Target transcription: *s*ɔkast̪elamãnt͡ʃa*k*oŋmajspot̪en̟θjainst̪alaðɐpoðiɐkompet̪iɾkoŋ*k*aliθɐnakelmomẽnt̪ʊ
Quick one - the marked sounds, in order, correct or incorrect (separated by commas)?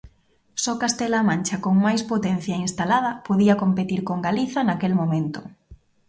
correct, correct, incorrect